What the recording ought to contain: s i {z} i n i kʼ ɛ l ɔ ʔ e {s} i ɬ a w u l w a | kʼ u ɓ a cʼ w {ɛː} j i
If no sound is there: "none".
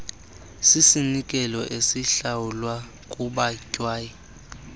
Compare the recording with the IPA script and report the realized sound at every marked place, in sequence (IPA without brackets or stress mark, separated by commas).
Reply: s, s, aː